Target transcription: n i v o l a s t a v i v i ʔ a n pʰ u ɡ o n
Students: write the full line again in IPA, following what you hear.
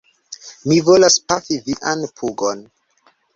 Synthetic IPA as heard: m i v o l a s p a f i v i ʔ a n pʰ u ɡ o n

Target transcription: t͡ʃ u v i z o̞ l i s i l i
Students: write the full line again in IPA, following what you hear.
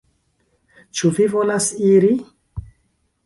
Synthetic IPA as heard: t͡ʃ u v i v o̞ l a s i ɾ i

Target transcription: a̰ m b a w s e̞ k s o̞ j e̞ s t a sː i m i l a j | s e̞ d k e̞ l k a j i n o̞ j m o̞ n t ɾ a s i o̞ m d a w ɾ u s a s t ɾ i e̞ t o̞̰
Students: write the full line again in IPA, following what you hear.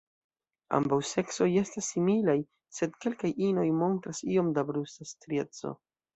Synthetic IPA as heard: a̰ m b a w s e̞ k s o̞ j e̞ s t a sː i m i l a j | s e̞ d k e̞ l k a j i n o̞ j m o̞ n t ɾ a s i o̞ m d a b ɾ u s a s t ɾ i e̞ t͡s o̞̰

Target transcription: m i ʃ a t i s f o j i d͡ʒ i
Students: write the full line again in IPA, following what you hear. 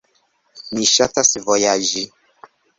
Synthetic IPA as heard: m i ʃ a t a s v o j a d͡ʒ i

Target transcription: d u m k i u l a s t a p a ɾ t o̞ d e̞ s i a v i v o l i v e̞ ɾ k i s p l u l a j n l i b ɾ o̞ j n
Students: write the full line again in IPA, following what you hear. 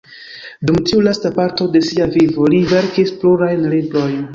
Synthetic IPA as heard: d u m t i u l a s t a p a ɾ t o̞ d e̞ s i a v i v o l i v e̞ ɾ k i s p l u ɾ a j n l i b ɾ o̞ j n

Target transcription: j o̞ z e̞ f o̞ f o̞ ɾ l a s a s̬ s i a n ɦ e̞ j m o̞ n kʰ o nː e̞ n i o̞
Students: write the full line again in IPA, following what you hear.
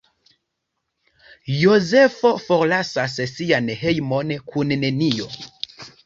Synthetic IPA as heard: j o̞ z e̞ f o̞ f o̞ ɾ l a s a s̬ s i a n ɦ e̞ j m o̞ n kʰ u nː e̞ n i o̞

